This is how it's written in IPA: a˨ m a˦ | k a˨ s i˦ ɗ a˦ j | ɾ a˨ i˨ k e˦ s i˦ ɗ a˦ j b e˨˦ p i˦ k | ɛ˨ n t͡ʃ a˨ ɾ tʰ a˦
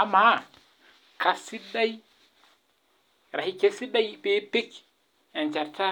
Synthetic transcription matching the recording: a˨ m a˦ | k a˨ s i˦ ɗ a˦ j | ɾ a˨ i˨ k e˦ s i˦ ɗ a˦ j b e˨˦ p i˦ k | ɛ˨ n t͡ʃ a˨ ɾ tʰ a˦